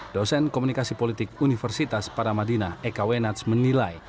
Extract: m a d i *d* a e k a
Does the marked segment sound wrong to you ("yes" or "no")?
yes